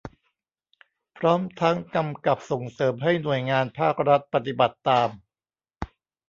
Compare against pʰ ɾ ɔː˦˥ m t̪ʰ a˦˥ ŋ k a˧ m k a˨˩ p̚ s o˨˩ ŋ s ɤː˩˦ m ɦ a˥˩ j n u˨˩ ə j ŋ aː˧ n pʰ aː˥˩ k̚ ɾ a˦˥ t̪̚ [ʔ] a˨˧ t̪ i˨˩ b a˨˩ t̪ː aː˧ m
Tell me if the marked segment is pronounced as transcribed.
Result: no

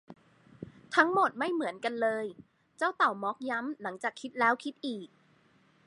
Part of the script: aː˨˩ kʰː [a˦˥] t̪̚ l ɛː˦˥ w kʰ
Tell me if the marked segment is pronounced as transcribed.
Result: no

